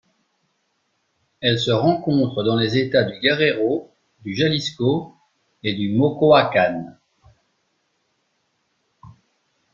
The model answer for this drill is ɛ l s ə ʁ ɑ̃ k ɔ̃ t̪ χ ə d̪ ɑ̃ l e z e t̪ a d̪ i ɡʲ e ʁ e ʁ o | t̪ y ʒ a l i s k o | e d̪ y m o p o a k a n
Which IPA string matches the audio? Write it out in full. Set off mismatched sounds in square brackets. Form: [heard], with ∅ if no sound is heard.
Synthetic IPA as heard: ɛ l s ə ʁ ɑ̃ k ɔ̃ t̪ χ ə d̪ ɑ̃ l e z e t̪ a d̪ [y] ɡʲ [a] ʁ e ʁ o | [d̪] y ʒ a l i s k o | e d̪ y m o [k] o a k a n